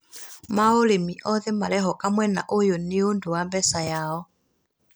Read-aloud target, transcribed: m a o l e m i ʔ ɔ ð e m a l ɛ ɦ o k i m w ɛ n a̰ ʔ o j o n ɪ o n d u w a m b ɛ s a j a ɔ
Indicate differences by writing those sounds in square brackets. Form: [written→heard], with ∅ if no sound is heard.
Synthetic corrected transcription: m a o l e m i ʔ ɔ ð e m a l ɛ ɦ [o→ɔ] k [i→a] m w ɛ n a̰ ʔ o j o n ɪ o n d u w a m b ɛ s a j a ɔ